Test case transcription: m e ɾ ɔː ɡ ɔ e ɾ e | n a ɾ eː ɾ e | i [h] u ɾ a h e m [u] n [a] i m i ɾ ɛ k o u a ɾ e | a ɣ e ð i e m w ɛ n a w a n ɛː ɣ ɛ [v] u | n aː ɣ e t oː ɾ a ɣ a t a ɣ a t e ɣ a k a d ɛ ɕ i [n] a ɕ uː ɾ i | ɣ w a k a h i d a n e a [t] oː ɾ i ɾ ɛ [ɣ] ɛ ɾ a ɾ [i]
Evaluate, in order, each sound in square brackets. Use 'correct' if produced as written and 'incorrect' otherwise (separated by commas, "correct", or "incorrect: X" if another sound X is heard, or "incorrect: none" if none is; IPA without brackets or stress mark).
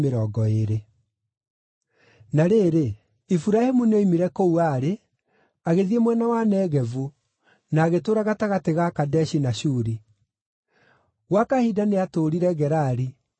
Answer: incorrect: f, correct, incorrect: e, correct, correct, correct, correct, correct